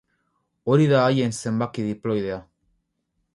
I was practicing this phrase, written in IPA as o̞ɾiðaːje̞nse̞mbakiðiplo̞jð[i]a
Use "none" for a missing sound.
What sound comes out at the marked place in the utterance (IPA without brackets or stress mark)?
e